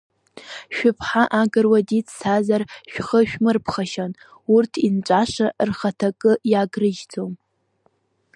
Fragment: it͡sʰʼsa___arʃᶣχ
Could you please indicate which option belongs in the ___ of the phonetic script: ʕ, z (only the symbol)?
z